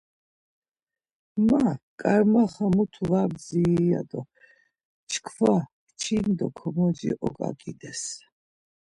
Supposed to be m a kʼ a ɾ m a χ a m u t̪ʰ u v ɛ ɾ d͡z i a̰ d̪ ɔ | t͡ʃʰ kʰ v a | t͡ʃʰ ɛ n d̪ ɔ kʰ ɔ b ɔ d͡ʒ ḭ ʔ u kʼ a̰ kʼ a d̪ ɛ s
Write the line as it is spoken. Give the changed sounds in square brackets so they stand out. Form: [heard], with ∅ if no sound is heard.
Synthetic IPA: m a kʼ a ɾ m a χ a m u t̪ʰ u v [a] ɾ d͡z i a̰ d̪ ɔ | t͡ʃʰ kʰ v a | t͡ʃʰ [i] n d̪ ɔ kʰ ɔ [m] ɔ d͡ʒ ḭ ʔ [ɔ] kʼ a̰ kʼ [i] d̪ ɛ s